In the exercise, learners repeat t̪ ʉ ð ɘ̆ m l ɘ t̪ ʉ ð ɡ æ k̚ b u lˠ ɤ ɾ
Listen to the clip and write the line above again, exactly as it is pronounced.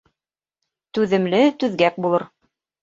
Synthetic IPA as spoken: t̪ ʉ ð ɘ̆ m l ɘ t̪ ʉ ð ɡ æ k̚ b u lˠ ɤ ɾ